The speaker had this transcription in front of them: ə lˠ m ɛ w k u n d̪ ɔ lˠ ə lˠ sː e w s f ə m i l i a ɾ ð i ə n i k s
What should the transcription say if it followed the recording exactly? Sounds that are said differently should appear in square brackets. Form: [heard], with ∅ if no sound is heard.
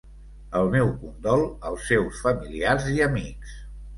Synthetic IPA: ə lˠ m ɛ w k u n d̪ ɔ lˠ ə lˠ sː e w s f ə m i l i a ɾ [z] i ə [m] i k s